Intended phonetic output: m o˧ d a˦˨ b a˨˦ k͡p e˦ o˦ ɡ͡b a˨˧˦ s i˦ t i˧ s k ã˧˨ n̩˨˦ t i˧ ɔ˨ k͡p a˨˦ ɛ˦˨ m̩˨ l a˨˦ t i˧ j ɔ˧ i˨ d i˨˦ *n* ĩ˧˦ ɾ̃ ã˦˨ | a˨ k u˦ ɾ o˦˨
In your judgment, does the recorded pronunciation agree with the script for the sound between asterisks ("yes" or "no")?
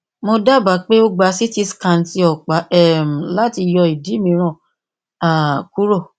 no